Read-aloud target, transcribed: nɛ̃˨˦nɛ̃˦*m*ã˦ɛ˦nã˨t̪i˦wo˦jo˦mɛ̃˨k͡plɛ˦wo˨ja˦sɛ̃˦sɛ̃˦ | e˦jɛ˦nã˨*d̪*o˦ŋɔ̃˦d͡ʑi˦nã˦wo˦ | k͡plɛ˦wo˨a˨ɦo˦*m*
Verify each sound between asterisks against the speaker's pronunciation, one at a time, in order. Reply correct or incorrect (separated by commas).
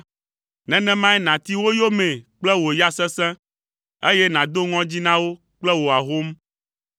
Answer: correct, correct, correct